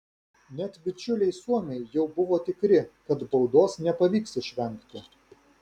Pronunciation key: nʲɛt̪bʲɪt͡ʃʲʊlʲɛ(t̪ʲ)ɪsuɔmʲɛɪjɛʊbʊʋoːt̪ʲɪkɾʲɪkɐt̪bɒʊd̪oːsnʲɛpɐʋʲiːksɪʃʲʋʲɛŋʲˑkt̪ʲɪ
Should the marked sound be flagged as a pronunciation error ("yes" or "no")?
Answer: yes